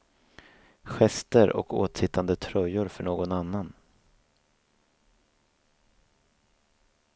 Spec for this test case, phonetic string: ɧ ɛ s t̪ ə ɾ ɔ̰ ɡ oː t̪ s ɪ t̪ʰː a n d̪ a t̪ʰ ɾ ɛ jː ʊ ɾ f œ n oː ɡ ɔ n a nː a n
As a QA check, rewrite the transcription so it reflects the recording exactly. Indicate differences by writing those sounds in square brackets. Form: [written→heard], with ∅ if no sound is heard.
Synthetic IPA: ɧ ɛ s t̪ ə ɾ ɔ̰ [ɡ→k] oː t̪ s ɪ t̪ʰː a n d̪ [a→ə] t̪ʰ ɾ [ɛ→œ] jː ʊ ɾ f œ [n→ɳ] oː ɡ ɔ n a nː a n